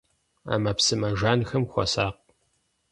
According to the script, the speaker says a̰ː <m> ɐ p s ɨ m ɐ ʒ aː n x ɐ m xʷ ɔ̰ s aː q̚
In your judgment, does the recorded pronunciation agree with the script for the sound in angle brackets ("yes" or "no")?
yes